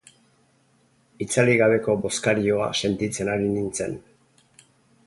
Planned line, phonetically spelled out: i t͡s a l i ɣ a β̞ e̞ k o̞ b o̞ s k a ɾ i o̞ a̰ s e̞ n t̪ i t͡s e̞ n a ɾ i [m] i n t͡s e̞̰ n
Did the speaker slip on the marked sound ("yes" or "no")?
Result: yes